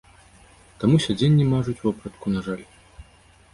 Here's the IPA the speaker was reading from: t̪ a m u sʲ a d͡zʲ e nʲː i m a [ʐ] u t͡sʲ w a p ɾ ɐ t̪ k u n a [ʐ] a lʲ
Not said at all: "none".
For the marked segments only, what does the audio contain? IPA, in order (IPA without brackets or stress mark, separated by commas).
ʐ, ʐ